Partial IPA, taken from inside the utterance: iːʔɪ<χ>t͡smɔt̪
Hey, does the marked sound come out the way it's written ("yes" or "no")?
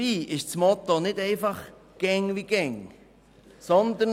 no